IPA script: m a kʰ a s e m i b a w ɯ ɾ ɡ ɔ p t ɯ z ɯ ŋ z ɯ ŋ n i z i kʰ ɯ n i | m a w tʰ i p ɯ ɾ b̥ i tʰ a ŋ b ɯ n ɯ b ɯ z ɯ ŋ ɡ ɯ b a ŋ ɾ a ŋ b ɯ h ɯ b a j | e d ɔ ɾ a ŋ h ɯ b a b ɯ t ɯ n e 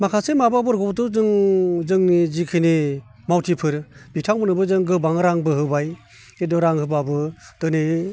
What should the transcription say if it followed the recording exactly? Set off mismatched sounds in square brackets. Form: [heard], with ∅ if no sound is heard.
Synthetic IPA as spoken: m a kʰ a s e m [a] b a [b] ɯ ɾ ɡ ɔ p t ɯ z ɯ ŋ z ɯ ŋ n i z i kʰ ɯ n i | m a w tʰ i [pʰ] ɯ ɾ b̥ i tʰ a ŋ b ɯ n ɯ b ɯ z ɯ ŋ ɡ ɯ b a ŋ ɾ a ŋ b ɯ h ɯ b a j | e d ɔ ɾ a ŋ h ɯ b a b ɯ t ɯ n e

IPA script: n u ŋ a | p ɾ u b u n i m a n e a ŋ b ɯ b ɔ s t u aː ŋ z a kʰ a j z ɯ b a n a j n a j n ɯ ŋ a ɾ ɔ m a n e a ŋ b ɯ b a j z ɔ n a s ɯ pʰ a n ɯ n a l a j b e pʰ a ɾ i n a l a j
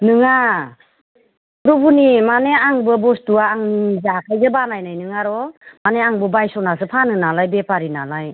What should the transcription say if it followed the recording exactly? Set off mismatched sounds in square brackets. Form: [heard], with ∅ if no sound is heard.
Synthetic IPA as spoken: n [ɯ] ŋ a | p ɾ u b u n i m a n e a ŋ b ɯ b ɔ s t u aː ŋ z a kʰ a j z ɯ b a n a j n a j n ɯ ŋ a ɾ ɔ m a n e a ŋ b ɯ b a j [s] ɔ n a s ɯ pʰ a n ɯ n a l a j b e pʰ a ɾ i n a l a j

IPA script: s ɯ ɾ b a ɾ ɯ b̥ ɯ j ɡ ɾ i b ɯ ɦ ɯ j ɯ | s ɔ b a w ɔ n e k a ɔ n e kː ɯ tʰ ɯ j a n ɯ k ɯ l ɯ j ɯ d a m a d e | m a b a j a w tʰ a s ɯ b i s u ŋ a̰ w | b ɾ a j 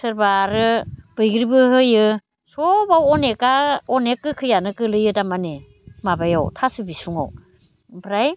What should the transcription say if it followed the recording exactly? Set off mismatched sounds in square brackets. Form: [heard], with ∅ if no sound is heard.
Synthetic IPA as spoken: s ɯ ɾ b a ɾ ɯ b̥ ɯ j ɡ ɾ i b ɯ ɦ ɯ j ɯ | s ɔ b a w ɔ n e k a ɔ n e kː ɯ [kʰ] ɯ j a n ɯ k ɯ l ɯ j ɯ d a m a [n] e | m a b a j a w tʰ a s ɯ b i s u ŋ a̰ w | b ɾ a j

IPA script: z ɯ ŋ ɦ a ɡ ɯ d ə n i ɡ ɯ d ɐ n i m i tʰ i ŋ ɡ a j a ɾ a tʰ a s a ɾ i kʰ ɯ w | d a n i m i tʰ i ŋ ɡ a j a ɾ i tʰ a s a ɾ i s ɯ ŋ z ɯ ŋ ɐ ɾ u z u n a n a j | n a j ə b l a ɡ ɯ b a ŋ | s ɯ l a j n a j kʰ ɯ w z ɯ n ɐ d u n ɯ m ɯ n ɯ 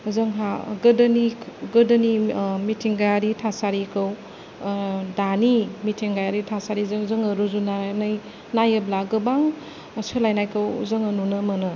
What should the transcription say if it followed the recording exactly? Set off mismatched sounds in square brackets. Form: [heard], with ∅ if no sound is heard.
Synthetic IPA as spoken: z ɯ ŋ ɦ a ɡ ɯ d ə n i ɡ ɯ d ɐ n i m i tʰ i ŋ ɡ a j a ɾ [i] tʰ a s a ɾ i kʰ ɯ w | d a n i m i tʰ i ŋ ɡ a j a ɾ i tʰ a s a ɾ i [z] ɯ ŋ z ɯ ŋ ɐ ɾ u z u n a n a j | n a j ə b l a ɡ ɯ b a ŋ | s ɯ l a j n a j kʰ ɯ w z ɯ [ŋ] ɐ [n] u n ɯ m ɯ n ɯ

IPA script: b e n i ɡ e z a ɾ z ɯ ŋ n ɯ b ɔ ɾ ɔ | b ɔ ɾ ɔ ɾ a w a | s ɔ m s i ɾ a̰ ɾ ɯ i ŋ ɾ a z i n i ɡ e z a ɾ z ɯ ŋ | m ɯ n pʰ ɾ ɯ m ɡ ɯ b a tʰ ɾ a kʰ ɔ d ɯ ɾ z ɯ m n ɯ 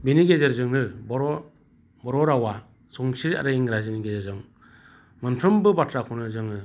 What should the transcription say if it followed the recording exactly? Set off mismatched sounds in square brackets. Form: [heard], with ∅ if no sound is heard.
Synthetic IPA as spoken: b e n i ɡ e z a ɾ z ɯ ŋ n ɯ b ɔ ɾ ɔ | b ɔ ɾ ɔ ɾ a w a | s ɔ [ŋ] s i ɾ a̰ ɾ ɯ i ŋ ɾ a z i n i ɡ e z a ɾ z ɯ ŋ | m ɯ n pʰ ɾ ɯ m [b] ɯ b a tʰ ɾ a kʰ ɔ [n] ɯ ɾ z ɯ [ŋ] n ɯ

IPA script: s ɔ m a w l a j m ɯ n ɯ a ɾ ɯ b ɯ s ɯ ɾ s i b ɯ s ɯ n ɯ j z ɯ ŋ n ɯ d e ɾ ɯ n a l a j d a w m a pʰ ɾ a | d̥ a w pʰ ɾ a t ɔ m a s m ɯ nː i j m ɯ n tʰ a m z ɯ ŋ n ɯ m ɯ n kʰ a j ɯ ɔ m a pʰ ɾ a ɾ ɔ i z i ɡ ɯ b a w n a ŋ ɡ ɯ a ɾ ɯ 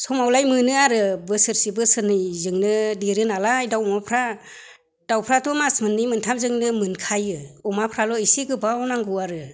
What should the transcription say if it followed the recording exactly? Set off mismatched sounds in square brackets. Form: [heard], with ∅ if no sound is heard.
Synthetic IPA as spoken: s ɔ m a w l a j m ɯ n ɯ a ɾ ɯ b ɯ s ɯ ɾ s i b ɯ s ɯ n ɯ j z ɯ ŋ n ɯ d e ɾ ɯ n a l a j d a w m a pʰ ɾ a | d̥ a w pʰ ɾ a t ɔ m a s m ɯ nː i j m ɯ n tʰ a m z ɯ ŋ n ɯ m ɯ n kʰ a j ɯ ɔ m a pʰ ɾ a [l] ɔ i [s] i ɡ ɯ b a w n a ŋ ɡ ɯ a ɾ ɯ

